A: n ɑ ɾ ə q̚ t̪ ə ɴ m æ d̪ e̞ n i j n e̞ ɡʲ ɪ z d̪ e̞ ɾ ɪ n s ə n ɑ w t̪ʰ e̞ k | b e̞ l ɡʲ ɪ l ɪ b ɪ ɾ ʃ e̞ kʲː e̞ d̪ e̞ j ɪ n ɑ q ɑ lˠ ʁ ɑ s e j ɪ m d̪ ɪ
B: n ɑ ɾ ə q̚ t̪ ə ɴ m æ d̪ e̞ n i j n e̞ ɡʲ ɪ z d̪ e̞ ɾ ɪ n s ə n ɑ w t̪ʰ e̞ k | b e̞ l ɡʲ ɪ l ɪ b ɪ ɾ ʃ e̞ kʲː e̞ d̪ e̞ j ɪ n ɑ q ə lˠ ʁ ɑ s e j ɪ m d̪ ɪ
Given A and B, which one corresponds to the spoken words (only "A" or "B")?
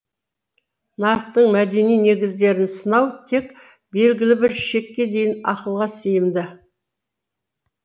B